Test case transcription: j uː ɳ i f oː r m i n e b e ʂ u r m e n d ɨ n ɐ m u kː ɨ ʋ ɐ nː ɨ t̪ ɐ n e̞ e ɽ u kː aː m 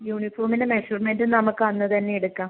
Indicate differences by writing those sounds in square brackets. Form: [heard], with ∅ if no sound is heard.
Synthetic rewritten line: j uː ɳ i f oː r m i n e [m] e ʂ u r m e n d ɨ n ɐ m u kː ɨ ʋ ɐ nː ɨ t̪ ɐ [nː] e̞ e ɽ u kː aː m